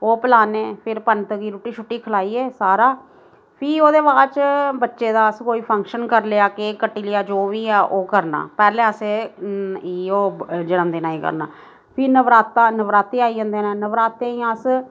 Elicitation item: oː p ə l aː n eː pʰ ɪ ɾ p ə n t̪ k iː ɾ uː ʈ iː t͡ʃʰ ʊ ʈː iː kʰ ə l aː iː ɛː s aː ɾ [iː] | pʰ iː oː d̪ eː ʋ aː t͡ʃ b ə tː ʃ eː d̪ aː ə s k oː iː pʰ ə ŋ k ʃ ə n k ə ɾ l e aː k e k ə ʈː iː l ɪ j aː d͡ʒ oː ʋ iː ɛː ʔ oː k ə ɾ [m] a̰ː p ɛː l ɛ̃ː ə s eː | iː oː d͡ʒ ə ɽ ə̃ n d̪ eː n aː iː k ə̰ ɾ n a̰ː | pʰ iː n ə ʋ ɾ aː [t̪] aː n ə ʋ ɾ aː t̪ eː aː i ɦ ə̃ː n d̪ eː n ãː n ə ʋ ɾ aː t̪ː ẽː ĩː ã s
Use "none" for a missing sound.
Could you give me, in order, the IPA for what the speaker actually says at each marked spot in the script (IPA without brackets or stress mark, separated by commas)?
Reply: aː, n, t̪